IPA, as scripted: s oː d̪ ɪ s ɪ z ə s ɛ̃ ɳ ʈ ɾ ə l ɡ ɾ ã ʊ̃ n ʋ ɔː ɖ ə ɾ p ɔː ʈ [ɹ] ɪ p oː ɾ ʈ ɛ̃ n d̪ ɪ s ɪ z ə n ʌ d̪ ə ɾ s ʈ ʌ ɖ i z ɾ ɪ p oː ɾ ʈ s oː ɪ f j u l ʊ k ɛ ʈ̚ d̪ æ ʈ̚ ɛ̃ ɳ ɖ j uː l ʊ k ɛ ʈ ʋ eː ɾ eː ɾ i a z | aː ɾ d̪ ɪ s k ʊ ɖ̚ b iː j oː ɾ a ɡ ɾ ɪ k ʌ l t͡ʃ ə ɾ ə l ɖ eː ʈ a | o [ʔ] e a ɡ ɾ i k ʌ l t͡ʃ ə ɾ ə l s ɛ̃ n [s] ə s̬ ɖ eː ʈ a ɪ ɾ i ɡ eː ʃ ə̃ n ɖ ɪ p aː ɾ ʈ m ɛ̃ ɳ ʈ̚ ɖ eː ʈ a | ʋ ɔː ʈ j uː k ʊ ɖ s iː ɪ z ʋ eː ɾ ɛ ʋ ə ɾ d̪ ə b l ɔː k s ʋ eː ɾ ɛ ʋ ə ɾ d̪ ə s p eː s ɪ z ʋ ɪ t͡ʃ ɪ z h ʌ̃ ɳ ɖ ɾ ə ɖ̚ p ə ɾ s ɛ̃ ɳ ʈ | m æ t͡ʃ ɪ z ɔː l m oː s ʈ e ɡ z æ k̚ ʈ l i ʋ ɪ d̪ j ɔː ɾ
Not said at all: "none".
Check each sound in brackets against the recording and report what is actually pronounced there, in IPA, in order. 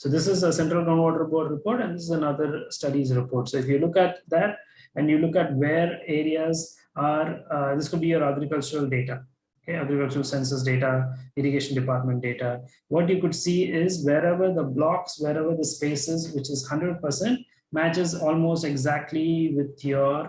ɾ, k, s

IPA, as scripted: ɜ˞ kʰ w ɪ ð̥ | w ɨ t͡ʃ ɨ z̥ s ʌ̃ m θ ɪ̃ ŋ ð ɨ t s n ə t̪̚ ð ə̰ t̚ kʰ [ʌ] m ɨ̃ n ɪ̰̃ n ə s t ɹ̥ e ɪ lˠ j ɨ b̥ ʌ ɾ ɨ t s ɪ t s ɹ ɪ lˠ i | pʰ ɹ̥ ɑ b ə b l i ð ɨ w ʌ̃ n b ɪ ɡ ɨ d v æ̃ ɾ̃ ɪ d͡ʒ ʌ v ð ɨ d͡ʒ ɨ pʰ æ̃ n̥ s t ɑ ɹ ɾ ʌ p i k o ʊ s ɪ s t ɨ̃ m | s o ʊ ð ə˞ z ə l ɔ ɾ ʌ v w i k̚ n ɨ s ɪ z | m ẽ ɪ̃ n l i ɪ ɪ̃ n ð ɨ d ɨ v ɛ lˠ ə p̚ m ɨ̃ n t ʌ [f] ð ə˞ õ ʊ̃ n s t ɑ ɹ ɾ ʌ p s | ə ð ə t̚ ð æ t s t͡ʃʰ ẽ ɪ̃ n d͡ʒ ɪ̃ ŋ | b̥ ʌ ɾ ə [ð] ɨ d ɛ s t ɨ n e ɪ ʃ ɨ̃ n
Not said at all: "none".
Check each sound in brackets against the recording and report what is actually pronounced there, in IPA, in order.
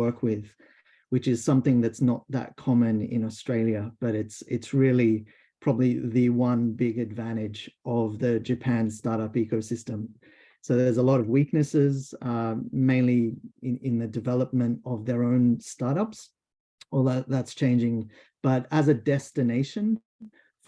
ɑ, v, z

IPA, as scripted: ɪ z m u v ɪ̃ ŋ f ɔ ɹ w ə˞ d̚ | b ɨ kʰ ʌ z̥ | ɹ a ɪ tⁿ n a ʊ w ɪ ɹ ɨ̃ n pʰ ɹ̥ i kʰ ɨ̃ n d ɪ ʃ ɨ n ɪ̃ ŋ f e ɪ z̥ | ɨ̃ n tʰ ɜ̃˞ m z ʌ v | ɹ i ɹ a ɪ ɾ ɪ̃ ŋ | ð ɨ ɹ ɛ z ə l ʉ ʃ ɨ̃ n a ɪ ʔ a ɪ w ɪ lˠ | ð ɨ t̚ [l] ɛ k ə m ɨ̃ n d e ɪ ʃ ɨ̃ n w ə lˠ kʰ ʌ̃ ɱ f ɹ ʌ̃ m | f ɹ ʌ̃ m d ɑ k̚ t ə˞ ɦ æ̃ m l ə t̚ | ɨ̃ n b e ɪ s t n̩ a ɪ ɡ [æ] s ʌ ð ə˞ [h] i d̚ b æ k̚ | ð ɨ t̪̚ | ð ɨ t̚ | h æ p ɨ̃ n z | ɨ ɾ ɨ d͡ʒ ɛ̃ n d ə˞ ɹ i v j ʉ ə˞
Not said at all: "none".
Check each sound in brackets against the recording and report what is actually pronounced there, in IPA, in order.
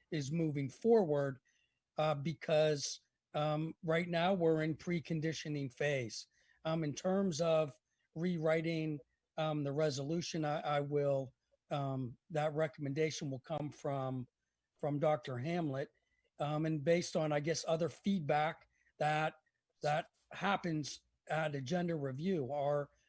ɹ, ɛ, f

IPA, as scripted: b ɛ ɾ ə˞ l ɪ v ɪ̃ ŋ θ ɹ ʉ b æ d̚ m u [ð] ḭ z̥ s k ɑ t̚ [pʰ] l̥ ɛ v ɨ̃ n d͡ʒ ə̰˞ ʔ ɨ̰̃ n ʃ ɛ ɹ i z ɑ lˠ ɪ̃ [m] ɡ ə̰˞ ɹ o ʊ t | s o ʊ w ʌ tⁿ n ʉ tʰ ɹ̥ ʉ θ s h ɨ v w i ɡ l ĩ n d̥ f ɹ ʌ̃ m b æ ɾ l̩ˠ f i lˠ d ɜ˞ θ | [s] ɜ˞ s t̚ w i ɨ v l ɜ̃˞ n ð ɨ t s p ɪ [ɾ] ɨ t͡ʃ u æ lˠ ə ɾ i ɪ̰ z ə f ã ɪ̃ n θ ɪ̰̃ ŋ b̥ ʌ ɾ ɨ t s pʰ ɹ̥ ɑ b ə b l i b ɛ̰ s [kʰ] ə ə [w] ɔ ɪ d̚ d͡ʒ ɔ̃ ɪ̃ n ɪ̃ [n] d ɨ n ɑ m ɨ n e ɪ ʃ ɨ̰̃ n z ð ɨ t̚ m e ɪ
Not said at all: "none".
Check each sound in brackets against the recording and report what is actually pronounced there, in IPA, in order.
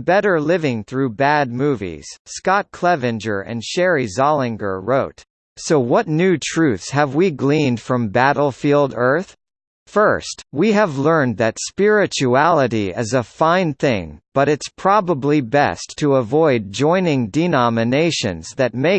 v, kʰ, ŋ, f, ɹ, tʰ, v, ŋ

